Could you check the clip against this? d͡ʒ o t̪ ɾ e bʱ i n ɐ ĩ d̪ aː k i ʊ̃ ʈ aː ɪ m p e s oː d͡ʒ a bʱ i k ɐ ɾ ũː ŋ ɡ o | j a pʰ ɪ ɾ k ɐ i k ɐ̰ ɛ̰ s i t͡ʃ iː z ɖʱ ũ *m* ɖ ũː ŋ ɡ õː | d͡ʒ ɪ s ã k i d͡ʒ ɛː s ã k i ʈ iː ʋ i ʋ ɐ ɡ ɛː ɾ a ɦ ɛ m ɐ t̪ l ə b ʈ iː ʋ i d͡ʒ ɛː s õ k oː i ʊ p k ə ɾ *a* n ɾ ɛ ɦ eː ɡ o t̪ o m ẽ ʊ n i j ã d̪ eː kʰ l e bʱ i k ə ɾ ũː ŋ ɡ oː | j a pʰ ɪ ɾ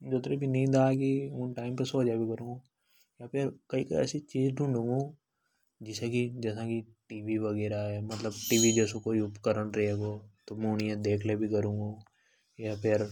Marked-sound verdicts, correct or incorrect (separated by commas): incorrect, incorrect